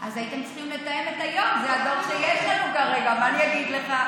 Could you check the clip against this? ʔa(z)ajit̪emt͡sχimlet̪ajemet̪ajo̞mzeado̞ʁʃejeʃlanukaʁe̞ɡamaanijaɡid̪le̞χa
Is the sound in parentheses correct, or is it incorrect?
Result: correct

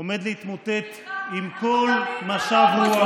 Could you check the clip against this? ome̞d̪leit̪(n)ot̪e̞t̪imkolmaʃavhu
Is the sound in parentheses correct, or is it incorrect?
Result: incorrect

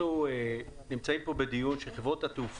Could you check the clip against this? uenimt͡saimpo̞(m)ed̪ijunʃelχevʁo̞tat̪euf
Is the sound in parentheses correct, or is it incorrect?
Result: incorrect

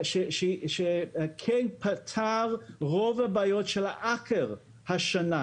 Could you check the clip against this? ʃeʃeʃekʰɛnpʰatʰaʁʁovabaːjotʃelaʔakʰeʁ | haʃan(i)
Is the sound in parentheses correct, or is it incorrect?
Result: incorrect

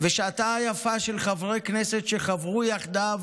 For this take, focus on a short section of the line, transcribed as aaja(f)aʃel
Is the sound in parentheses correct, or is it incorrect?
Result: correct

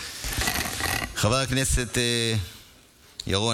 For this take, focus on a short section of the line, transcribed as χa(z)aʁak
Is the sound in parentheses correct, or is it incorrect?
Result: incorrect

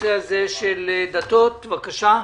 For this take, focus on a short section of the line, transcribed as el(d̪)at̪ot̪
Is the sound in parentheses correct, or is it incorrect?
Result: correct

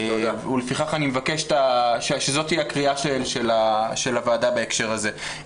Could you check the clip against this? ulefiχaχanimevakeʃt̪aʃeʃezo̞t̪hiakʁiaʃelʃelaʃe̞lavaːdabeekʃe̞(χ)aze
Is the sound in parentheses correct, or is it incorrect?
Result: incorrect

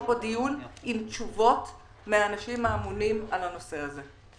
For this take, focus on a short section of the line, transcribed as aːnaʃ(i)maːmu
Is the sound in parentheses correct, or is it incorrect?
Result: correct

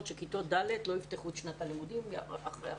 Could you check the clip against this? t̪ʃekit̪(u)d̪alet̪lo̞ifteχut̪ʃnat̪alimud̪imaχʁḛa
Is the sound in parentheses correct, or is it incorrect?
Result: incorrect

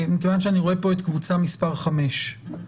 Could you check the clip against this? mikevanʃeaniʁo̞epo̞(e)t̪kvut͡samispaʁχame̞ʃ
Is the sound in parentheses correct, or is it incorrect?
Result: correct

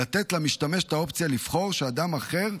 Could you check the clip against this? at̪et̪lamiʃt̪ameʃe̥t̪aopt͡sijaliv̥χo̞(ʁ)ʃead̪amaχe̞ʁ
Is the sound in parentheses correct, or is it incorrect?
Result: correct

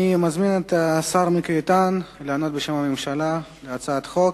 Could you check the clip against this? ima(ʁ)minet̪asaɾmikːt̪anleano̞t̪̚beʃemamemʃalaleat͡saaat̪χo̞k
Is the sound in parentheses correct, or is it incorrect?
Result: incorrect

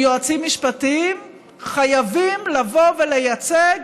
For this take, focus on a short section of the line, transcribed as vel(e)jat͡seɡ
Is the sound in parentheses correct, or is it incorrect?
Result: correct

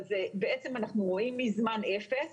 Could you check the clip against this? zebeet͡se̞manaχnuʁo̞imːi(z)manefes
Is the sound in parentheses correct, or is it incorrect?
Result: correct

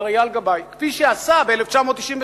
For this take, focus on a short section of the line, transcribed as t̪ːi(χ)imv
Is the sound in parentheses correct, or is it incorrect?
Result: incorrect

